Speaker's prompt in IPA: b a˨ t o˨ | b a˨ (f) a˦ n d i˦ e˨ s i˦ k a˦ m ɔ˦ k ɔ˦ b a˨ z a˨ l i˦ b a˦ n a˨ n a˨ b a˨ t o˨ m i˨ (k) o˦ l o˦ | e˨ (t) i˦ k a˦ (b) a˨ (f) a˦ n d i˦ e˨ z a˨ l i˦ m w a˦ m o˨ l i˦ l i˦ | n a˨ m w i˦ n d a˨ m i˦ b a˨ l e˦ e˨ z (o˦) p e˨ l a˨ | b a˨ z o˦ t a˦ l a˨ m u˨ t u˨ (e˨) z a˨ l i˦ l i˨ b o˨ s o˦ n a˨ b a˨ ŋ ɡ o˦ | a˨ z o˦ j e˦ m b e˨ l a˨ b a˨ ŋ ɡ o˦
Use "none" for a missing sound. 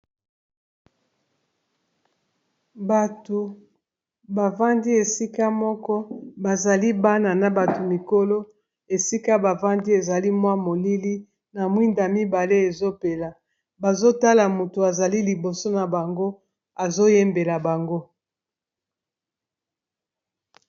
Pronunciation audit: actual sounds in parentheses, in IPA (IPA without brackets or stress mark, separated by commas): v, k, s, b, v, o˦, a˨